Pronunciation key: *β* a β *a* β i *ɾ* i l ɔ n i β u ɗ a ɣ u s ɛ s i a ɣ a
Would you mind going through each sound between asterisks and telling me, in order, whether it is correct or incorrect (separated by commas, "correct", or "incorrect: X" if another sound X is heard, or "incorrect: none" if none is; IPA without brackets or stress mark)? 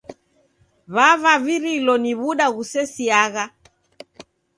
correct, correct, correct